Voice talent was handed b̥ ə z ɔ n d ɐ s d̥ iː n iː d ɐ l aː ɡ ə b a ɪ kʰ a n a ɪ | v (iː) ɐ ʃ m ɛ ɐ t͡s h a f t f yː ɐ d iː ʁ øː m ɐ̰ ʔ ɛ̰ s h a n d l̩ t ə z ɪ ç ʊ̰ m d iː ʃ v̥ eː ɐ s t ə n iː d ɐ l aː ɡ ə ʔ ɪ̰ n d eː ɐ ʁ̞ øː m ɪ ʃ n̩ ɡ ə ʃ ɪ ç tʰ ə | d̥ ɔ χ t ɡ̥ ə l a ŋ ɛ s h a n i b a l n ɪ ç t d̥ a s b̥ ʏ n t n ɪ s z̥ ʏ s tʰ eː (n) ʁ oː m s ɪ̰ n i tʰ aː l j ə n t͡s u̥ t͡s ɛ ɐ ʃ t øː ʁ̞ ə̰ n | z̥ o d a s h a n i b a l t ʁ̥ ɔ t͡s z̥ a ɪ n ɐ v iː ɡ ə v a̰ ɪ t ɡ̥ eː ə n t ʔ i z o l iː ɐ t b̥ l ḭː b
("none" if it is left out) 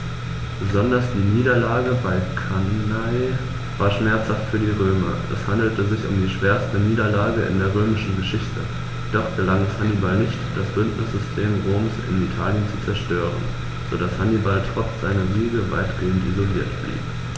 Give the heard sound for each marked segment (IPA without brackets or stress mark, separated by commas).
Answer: aː, m